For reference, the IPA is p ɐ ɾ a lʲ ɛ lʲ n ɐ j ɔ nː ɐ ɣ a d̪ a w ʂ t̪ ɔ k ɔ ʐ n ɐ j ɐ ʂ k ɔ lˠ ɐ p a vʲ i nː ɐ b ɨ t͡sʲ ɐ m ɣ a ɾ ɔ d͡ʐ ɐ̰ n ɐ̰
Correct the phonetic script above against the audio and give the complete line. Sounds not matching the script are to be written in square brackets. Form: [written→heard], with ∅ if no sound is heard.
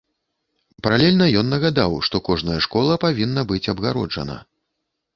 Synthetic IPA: p ɐ ɾ a lʲ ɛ lʲ n ɐ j ɔ nː ɐ ɣ a d̪ a w ʂ t̪ ɔ k ɔ ʐ n ɐ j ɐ ʂ k ɔ lˠ ɐ p a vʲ i nː ɐ b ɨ t͡sʲ ɐ [m→b] ɣ a ɾ ɔ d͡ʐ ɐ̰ n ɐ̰